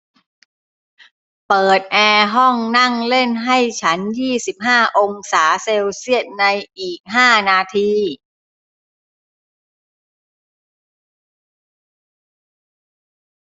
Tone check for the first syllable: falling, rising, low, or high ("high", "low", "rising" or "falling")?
low